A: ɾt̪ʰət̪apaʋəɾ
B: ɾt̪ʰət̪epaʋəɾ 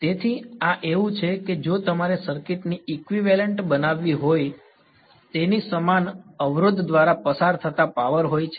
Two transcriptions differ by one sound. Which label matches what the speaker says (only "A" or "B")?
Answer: A